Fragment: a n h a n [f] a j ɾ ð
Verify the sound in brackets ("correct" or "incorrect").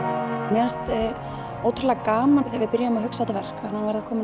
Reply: incorrect